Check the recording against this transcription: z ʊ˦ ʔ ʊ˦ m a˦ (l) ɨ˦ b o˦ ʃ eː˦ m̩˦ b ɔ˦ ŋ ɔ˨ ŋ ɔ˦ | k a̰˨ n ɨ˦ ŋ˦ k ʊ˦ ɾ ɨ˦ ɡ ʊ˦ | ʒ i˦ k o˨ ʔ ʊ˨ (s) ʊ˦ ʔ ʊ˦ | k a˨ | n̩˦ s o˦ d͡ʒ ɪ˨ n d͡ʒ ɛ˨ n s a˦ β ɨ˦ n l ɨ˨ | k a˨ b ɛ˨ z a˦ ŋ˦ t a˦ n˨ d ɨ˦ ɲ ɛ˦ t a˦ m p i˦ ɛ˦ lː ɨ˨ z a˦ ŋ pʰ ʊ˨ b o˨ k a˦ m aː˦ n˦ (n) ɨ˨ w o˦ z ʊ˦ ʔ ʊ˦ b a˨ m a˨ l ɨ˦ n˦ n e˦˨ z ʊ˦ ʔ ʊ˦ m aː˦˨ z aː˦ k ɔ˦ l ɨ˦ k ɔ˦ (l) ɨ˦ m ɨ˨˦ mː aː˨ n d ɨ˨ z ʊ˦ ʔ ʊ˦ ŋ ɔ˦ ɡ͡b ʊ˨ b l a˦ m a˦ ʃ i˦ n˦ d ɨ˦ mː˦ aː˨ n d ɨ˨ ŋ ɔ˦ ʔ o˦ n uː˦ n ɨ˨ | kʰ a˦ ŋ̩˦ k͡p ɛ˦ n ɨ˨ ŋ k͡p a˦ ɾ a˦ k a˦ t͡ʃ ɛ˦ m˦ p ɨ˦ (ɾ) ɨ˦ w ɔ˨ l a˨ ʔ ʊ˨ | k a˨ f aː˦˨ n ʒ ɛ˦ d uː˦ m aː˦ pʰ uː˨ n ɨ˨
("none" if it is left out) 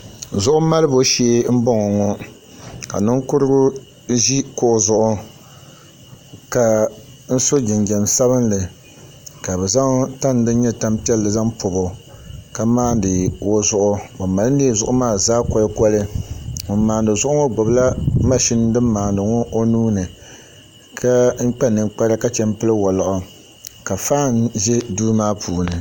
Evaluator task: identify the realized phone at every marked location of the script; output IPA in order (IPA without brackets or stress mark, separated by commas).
l, z, d, l, l